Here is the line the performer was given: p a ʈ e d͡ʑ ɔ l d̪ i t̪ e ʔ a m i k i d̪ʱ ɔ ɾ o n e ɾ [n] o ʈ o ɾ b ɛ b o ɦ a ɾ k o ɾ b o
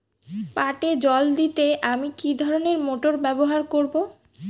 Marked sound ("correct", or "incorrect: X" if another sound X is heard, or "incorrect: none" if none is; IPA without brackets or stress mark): incorrect: m